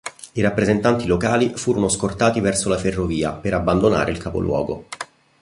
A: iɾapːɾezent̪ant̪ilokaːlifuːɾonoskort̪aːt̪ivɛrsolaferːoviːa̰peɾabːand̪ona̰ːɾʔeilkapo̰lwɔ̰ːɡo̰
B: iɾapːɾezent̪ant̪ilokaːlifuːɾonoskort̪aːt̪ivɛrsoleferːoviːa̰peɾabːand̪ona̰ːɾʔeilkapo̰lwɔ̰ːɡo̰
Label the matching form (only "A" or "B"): A